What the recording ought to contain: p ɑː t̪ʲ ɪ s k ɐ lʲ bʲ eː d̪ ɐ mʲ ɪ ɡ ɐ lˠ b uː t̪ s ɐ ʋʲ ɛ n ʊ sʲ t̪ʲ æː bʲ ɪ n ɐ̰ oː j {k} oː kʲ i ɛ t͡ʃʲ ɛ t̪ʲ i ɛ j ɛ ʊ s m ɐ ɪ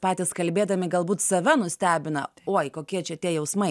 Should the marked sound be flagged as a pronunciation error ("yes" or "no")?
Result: no